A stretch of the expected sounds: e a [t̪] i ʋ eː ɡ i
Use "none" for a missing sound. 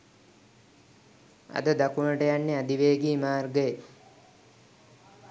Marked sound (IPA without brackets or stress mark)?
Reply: d̪